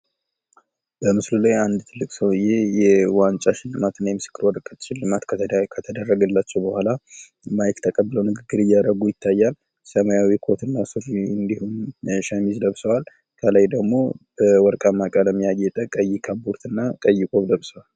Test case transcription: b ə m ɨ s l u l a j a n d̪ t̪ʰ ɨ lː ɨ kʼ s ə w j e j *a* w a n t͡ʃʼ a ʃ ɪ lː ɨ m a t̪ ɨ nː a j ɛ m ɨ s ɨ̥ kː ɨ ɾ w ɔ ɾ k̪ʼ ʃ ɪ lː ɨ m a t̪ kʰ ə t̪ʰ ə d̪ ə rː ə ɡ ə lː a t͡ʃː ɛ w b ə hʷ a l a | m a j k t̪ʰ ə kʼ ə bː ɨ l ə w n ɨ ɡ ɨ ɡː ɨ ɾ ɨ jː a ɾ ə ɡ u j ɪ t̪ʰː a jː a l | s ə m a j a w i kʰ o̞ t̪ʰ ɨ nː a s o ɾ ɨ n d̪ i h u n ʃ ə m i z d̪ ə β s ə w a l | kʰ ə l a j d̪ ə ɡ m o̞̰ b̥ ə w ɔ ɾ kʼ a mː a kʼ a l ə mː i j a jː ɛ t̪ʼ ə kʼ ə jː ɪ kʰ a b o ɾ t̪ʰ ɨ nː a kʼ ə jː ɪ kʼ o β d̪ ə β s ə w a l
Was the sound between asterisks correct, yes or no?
no